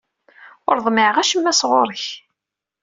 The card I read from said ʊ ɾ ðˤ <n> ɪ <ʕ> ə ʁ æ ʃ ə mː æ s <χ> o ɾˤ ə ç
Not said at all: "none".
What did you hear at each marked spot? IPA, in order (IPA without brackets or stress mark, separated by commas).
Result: m, ʕ, ʁ